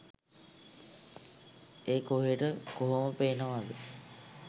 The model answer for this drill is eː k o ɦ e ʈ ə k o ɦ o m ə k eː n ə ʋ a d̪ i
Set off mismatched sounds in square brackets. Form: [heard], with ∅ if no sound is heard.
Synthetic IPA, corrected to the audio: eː k o ɦ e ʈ ə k o ɦ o m ə [p] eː n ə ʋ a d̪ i